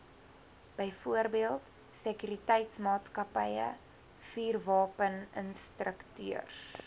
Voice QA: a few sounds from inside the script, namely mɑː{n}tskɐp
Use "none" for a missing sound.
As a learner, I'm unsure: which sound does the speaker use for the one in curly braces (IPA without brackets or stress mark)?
none